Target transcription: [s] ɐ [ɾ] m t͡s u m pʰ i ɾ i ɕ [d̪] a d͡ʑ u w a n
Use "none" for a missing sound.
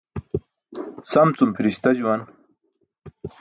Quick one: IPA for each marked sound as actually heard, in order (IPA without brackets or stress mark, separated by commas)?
s, none, t̪